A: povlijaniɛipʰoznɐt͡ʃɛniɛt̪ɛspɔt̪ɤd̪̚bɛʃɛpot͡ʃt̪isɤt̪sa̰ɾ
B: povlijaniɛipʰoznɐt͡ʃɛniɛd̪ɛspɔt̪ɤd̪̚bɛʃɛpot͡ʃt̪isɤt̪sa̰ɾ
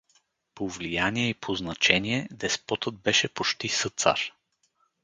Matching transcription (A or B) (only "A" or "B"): B